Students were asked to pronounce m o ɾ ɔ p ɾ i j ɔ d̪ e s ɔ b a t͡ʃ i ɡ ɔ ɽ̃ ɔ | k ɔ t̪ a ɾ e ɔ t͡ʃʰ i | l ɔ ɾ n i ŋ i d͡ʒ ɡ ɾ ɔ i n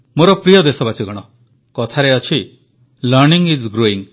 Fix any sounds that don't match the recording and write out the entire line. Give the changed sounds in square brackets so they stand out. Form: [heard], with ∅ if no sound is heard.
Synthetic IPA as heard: m o ɾ ɔ p ɾ i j ɔ d̪ e s ɔ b a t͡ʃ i ɡ ɔ ɽ̃ ɔ | k ɔ [t̪ʰ] a ɾ e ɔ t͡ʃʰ i | l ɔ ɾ n i ŋ i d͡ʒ ɡ ɾ [o] i [ŋ]